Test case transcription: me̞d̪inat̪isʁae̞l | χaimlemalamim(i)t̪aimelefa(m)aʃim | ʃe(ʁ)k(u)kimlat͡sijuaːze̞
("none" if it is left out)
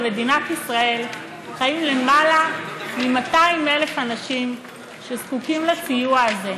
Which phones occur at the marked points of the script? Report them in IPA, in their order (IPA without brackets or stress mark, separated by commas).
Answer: a, n, z, u